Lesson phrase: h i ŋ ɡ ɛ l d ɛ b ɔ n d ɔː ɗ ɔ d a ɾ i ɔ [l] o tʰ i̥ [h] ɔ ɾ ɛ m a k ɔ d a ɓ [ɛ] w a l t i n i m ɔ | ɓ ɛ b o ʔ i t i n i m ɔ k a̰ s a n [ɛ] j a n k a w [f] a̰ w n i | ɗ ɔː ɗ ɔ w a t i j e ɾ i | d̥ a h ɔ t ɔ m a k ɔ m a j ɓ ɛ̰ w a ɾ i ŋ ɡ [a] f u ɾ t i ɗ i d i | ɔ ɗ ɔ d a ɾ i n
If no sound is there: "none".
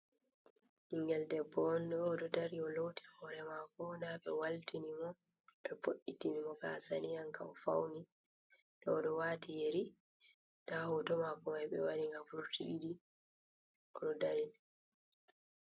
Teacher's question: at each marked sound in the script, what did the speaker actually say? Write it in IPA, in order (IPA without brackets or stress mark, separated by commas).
l, h, ɛ, i, f, a